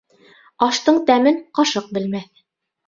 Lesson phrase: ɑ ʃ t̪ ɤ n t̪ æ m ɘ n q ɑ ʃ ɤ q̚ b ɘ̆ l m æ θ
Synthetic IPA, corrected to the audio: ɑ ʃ t̪ ɤ ɴ t̪ æ m ɘ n q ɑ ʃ ɤ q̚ b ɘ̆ l m æ θ